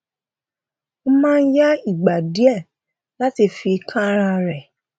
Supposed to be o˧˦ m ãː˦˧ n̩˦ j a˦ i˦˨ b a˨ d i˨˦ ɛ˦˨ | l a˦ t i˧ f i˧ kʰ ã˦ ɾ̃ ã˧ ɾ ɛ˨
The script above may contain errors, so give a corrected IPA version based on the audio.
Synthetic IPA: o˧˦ m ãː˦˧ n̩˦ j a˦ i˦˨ ɡ͡b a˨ d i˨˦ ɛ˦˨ | l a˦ t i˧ f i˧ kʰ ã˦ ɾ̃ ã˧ ɾ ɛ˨